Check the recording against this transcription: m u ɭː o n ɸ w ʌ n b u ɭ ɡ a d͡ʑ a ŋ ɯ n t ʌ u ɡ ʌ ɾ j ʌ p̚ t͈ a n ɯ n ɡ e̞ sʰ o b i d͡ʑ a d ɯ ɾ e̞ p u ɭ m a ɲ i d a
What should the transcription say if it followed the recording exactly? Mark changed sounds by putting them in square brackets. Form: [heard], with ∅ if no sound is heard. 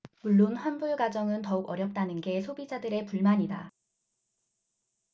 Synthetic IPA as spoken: m u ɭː o n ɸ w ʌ n b u ɭ ɡ a d͡ʑ [ʌ] ŋ ɯ n t ʌ u ɡ ʌ ɾ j ʌ p̚ t͈ a n ɯ n ɡ e̞ sʰ o b i d͡ʑ a d ɯ ɾ e̞ p u ɭ m a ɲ i d a